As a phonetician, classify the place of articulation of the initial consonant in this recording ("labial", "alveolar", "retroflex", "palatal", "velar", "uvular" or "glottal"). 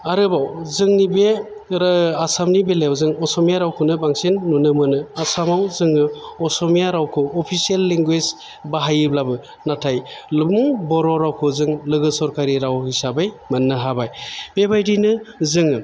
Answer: alveolar